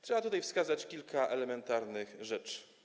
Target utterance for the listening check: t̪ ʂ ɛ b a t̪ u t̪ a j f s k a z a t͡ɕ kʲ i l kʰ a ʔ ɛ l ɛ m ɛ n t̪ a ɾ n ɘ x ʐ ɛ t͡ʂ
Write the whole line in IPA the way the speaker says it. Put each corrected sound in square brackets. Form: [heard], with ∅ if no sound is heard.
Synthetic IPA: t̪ ʂ ɛ b a t̪ u t̪ a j f s k a z a t͡ɕ kʲ i l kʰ a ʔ ɛ l ɛ m ɛ n t̪ a ɾ n ɘ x ʐ ɛ t͡ʂ

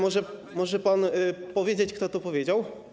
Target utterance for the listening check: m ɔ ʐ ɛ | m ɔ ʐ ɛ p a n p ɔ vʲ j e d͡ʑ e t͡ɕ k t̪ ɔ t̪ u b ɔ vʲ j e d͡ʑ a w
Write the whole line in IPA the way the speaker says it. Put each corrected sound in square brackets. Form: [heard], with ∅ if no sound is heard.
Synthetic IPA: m ɔ ʐ ɛ | m ɔ ʐ ɛ p a n p ɔ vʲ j e d͡ʑ e t͡ɕ k t̪ ɔ t̪ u [p] ɔ vʲ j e d͡ʑ a w

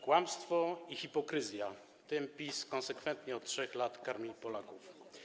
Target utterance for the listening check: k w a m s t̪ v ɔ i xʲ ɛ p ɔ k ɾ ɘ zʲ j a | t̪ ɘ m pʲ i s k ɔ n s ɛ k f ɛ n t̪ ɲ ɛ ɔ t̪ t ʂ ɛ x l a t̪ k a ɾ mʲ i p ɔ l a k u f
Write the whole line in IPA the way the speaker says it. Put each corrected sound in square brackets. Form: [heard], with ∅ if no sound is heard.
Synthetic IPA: k w a m s t̪ [f] ɔ i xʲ [i] p ɔ k ɾ ɘ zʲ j a | t̪ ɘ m pʲ i s k ɔ n s ɛ k f ɛ n t̪ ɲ ɛ ɔ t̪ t ʂ ɛ x l a t̪ k a ɾ mʲ i p ɔ l a k u f

